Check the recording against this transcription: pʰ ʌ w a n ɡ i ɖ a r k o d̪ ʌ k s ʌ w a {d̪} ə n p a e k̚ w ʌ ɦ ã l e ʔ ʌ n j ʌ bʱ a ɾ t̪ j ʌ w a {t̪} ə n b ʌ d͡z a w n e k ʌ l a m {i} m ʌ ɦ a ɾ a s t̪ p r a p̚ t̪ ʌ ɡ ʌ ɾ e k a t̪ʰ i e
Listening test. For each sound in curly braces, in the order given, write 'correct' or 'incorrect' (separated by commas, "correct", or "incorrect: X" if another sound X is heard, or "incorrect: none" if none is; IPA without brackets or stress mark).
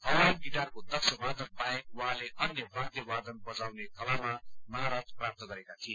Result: correct, incorrect: d̪, incorrect: a